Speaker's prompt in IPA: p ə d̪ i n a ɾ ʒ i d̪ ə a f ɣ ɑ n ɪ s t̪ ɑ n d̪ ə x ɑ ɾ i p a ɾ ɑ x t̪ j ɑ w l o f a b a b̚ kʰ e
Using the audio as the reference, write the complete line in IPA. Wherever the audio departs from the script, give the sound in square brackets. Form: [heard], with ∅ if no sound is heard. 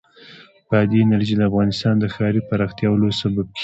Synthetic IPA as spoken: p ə d̪ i n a ɾ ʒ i d̪ ə a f ɣ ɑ n ɪ s t̪ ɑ n d̪ ə x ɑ ɾ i p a ɾ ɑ x t̪ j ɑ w l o [s] a b a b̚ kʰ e